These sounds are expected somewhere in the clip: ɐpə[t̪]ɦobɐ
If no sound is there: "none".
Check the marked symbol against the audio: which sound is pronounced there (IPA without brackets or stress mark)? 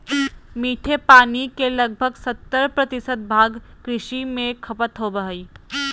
t̪